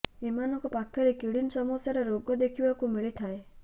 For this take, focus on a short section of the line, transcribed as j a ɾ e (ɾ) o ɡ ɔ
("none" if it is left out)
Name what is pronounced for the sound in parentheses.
ɾ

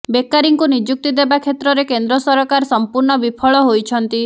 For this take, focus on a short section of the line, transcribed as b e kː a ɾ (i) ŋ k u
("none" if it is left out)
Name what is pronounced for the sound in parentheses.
i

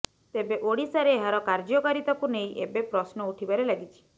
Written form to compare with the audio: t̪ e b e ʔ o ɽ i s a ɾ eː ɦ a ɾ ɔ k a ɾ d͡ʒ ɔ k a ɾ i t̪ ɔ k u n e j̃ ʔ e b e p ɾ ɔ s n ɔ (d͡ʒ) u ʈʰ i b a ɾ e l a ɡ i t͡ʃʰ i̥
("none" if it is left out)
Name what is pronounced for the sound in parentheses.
none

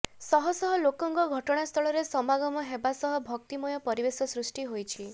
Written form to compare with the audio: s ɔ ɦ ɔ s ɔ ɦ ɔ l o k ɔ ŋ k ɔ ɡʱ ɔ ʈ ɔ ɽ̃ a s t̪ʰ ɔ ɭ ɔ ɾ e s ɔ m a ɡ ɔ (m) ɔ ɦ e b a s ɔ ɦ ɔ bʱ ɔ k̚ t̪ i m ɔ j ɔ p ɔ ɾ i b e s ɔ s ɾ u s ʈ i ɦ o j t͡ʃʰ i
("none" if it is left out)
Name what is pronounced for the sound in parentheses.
m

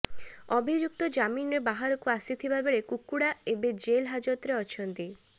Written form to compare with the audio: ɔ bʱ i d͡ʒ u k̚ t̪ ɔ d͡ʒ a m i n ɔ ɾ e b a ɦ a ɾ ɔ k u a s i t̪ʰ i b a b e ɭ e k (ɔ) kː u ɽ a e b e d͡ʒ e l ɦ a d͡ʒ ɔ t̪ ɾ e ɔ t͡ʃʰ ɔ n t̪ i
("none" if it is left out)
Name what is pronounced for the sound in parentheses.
u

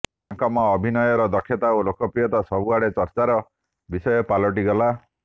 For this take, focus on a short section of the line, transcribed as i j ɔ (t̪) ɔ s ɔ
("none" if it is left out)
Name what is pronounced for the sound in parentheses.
t̪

